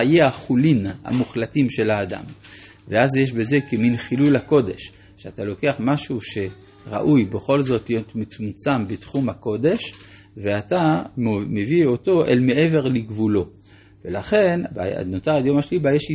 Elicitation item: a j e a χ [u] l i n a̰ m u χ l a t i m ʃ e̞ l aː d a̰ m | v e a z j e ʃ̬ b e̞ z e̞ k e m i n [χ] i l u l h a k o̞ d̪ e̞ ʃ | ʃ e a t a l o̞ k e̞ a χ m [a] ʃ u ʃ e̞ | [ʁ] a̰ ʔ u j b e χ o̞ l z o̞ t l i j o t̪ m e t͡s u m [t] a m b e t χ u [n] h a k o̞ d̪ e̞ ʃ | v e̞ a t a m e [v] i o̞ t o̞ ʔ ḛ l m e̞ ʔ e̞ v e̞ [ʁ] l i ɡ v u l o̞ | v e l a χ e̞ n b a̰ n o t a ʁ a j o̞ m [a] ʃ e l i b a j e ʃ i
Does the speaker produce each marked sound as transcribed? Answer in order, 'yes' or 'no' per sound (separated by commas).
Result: yes, yes, yes, yes, no, no, yes, yes, yes